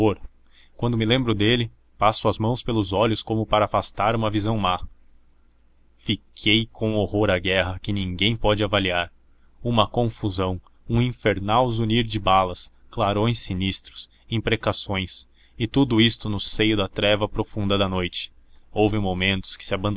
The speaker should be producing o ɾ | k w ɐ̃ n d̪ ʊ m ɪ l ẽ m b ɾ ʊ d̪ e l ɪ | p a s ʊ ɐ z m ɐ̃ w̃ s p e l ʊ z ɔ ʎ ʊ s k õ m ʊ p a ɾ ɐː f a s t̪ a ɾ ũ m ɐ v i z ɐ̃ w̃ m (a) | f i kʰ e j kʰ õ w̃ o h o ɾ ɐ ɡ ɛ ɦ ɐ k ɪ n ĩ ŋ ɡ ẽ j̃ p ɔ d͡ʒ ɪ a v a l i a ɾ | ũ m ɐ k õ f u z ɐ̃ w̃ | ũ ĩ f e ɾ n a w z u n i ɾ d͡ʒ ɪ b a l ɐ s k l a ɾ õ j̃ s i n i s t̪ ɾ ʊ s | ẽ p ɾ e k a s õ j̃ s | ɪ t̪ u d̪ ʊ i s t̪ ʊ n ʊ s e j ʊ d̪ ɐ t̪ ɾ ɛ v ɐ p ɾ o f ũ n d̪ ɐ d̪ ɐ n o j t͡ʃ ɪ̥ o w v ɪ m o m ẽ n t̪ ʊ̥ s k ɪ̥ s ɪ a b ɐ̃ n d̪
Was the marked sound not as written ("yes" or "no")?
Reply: no